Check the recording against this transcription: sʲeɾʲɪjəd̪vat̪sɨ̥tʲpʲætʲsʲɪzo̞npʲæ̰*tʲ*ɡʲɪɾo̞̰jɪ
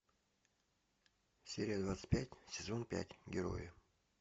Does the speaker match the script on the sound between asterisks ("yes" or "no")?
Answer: yes